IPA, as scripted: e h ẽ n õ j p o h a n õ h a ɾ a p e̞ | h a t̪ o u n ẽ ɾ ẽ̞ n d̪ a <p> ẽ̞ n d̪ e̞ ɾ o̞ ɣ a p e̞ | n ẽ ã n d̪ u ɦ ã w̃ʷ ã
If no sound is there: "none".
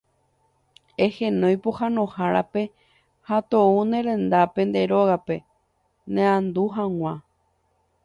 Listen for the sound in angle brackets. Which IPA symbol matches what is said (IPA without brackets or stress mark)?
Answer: p